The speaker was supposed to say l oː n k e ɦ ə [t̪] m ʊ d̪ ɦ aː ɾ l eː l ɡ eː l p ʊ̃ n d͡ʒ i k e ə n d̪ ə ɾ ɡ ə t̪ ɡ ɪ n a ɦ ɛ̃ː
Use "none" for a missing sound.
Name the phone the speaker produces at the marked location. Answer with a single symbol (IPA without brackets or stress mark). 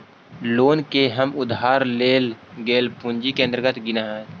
none